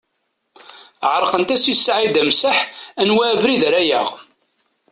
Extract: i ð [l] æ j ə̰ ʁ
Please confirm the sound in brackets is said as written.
no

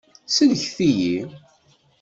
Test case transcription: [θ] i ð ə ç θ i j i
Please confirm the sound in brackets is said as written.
no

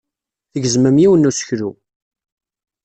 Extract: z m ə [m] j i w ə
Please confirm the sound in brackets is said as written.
yes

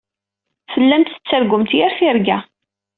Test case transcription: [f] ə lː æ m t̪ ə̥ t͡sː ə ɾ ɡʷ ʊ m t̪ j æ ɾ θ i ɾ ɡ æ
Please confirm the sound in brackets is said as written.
yes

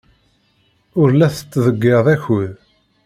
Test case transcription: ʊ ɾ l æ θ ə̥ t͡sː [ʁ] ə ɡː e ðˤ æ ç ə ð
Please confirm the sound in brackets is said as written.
no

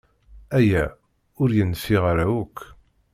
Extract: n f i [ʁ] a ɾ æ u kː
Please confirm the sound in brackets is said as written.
yes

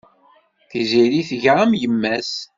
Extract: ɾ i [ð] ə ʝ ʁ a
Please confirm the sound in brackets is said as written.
no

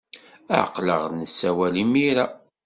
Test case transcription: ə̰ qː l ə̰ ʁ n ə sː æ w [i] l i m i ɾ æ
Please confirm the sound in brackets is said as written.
no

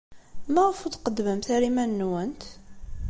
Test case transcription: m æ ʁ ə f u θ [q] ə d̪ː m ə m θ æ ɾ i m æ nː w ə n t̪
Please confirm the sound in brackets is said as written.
yes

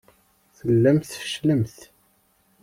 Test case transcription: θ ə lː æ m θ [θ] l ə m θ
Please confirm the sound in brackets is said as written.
no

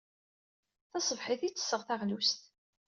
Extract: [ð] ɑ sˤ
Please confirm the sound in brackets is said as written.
no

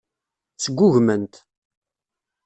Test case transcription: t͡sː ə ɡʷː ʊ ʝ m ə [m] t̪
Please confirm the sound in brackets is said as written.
no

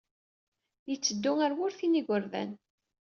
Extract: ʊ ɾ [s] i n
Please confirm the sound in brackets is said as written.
no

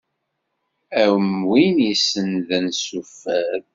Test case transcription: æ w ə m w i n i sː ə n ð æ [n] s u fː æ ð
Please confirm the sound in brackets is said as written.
yes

